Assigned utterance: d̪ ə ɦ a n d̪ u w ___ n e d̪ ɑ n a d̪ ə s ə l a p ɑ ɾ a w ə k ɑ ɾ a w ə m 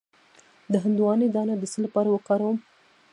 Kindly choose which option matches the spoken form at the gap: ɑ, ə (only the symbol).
ɑ